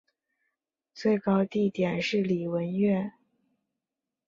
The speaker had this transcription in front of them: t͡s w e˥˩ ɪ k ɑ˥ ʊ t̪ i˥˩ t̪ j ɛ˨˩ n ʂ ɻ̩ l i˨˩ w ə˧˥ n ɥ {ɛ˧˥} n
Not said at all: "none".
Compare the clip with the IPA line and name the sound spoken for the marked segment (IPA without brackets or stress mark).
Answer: ɛ˥˩